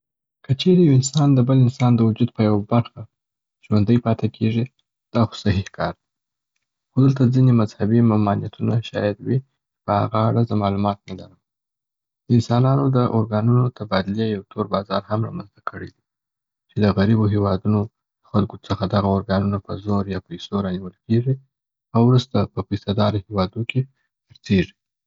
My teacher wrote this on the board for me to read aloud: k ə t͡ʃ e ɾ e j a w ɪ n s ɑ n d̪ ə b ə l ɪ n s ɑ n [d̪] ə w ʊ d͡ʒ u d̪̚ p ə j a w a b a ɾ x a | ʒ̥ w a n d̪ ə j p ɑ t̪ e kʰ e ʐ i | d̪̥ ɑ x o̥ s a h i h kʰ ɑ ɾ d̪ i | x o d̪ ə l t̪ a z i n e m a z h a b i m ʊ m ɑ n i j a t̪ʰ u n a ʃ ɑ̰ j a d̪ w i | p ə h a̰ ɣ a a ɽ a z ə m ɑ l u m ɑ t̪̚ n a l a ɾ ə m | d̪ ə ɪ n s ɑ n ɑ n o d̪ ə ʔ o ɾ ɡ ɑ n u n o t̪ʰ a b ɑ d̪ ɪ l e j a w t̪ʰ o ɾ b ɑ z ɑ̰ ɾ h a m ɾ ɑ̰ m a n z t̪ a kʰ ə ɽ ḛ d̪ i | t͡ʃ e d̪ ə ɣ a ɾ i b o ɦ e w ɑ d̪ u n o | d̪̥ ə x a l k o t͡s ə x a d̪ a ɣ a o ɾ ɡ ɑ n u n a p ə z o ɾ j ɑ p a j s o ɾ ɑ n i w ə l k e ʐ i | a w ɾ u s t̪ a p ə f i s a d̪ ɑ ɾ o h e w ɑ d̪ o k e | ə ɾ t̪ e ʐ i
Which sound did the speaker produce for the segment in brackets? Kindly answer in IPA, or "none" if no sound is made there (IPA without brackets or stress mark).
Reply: d̪